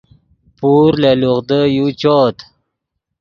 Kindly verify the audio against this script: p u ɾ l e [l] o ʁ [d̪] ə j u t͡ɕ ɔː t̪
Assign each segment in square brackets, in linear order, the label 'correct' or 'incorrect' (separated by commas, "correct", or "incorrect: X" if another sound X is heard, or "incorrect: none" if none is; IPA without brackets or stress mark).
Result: correct, correct